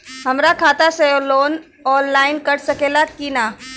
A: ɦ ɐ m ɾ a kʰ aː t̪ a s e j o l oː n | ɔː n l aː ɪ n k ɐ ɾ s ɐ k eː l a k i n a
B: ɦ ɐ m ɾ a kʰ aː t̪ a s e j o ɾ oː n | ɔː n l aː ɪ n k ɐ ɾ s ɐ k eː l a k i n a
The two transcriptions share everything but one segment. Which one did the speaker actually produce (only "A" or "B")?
A